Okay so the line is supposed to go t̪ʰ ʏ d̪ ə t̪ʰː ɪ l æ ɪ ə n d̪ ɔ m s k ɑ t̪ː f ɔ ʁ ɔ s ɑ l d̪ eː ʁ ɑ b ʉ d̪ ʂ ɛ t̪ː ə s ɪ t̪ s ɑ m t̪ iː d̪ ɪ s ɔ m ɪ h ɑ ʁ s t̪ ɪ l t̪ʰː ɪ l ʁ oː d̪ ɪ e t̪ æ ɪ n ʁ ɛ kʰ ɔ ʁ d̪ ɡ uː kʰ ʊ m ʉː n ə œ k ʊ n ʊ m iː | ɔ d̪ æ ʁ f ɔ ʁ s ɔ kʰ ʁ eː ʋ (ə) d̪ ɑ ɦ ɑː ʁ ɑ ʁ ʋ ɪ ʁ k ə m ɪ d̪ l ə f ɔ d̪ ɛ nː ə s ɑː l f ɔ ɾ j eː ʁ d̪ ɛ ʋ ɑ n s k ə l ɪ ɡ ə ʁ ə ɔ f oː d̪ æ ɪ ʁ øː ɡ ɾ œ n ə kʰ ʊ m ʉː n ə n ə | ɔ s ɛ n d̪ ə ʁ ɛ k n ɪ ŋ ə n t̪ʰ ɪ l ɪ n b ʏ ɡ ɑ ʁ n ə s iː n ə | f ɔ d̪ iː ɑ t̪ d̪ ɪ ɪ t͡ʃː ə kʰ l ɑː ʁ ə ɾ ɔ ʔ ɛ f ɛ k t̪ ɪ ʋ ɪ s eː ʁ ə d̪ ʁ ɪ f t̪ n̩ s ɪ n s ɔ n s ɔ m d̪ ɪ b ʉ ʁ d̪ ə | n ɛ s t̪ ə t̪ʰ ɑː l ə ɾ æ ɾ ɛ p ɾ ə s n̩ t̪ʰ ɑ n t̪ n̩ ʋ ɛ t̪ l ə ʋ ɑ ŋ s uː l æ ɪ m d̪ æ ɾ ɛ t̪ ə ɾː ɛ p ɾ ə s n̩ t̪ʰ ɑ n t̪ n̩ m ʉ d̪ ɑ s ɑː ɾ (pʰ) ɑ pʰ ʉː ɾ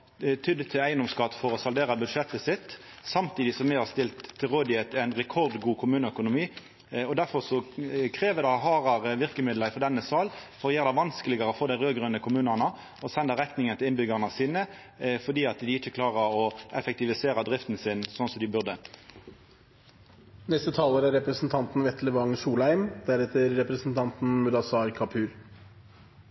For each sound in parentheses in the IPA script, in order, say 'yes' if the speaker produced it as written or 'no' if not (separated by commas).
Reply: yes, no